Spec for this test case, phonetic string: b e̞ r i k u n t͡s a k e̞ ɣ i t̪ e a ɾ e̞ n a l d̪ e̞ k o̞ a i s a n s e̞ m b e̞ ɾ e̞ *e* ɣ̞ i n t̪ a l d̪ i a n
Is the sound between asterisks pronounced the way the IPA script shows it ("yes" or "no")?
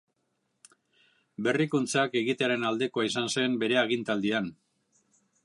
no